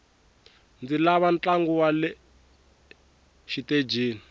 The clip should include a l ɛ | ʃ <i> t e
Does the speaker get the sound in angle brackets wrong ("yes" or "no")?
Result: no